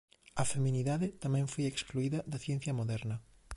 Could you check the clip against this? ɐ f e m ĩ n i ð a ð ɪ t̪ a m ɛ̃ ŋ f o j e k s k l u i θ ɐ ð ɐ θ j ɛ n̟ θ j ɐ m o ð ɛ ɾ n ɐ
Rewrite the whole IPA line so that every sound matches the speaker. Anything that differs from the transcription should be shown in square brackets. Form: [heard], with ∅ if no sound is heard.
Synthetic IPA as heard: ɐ f e m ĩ n i ð a ð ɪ t̪ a m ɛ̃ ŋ f o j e k s k l u i [ð] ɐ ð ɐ θ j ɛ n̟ θ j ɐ m o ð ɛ ɾ n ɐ